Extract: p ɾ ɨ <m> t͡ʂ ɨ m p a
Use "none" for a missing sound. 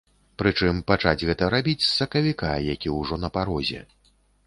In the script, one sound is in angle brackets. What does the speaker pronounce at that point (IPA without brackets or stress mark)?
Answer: none